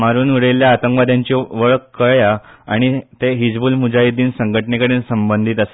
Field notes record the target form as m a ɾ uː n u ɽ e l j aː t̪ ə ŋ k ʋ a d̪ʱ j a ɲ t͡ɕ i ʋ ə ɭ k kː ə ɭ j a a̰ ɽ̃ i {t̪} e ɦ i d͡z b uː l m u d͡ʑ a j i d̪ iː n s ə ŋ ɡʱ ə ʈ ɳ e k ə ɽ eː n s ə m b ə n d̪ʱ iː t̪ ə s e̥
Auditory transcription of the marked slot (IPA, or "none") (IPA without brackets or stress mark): t̪